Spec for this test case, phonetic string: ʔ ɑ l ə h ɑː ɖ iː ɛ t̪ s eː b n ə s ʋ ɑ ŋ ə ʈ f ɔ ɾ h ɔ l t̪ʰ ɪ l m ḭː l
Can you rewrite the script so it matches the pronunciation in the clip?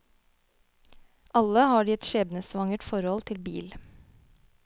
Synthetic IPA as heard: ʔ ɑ l ə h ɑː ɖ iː ɛ t̪ ʃ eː b n ə s ʋ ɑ ŋ ə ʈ f ɔ ɾ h ɔ l t̪ʰ ɪ l b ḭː l